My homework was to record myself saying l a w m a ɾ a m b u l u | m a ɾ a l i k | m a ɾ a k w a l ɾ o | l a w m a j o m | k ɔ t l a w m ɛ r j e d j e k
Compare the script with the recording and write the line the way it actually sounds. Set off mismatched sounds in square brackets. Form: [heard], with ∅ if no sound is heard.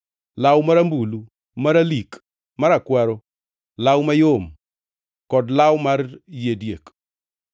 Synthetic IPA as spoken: l a w m a ɾ a m b u l u | m a ɾ a l i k | m a ɾ a k w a [∅] ɾ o | l a w m a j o m | k ɔ [d] l a w m [a] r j e d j e k